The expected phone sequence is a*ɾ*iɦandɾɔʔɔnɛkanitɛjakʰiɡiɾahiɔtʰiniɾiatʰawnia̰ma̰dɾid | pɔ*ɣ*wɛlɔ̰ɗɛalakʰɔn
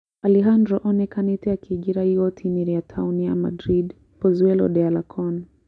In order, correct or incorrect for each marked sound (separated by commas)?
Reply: incorrect, incorrect